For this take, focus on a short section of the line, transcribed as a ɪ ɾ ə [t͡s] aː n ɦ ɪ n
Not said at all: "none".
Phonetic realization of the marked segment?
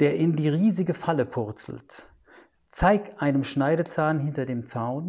t͡s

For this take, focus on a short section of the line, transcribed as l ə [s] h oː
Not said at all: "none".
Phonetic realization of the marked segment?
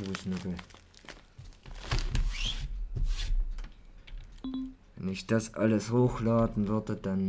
s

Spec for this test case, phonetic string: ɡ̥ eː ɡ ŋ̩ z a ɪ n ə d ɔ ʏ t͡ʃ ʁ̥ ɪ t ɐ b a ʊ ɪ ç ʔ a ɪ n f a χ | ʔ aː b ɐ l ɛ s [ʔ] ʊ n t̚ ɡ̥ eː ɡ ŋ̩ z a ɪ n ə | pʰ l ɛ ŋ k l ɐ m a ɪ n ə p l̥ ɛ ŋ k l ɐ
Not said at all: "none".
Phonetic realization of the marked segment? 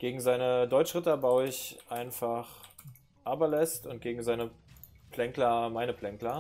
t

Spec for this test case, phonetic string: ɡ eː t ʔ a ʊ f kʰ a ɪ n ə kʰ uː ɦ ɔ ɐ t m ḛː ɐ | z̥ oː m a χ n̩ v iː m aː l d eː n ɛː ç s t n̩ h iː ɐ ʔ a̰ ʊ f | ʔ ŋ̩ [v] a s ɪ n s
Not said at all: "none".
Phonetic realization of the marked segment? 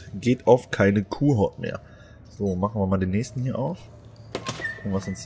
v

